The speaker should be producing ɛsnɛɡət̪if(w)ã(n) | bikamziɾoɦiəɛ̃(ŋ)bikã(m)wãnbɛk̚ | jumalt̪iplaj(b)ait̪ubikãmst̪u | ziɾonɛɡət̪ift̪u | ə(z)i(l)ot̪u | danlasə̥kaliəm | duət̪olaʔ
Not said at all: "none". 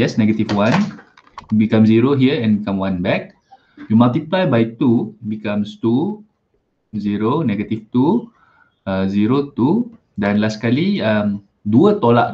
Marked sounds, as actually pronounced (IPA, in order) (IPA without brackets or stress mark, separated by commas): w, n, n, m, b, z, ɾ